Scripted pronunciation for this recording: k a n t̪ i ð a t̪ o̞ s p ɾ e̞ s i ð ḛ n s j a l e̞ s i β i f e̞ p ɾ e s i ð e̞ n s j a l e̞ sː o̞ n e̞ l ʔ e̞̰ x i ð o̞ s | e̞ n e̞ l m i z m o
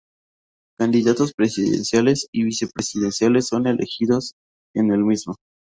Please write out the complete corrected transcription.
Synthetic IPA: k a n d̪ i ð a t̪ o̞ s p ɾ e̞ s i ð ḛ n s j a l e̞ s i β i s e̞ p ɾ e s i ð e̞ n s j a l e̞ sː o̞ n e̞ l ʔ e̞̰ x i ð o̞ s | e̞ n e̞ l m i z m o